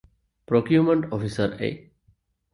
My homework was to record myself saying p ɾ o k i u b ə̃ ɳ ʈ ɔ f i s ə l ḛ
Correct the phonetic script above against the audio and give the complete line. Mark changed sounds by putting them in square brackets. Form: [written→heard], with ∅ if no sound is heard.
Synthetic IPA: p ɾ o k [i→j] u [b→m] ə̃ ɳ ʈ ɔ f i s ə [l→ɾ] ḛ